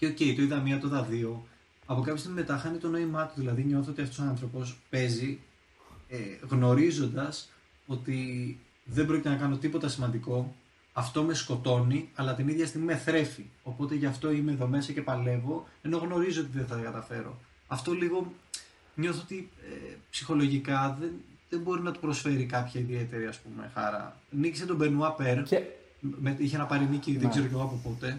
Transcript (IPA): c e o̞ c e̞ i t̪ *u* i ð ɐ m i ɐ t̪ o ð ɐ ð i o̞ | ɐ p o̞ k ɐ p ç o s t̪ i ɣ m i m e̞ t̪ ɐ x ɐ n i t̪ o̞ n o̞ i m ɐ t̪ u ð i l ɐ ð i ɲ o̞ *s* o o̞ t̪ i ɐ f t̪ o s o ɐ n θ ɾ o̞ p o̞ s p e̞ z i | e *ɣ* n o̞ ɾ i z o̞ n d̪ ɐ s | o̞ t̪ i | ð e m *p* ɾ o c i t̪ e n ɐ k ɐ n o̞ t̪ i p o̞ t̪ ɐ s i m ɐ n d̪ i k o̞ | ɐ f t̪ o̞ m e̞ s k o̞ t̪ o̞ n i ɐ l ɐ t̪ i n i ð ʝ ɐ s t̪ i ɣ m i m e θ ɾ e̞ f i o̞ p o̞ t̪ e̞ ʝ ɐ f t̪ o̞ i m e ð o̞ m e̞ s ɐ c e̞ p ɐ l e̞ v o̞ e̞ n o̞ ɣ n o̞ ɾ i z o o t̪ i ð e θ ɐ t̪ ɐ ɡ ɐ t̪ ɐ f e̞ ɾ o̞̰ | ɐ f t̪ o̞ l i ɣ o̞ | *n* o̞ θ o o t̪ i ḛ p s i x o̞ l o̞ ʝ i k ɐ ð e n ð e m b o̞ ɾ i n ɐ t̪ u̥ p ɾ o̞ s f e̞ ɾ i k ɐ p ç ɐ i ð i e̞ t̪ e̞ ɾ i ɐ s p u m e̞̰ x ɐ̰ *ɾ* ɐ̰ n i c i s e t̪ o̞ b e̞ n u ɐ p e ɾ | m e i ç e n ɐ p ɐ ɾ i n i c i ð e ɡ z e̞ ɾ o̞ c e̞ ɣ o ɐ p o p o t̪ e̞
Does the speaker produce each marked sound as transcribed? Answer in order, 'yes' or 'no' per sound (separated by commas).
no, no, yes, no, no, yes